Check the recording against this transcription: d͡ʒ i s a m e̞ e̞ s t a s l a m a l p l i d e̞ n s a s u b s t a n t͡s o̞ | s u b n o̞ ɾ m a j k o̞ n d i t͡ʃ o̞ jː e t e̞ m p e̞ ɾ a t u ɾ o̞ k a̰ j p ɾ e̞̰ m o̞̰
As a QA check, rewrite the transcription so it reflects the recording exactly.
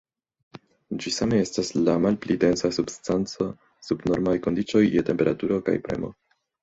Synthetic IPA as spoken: d͡ʒ i s a m e̞ e̞ s t a s l a m a l p l i d e̞ n s a s u b s t a n t͡s o̞ | s u b n o̞ ɾ m a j k o̞ n d i t͡ʃ o̞ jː e t e̞ m p e̞ ɾ a t u ɾ o̞ k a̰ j p ɾ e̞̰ m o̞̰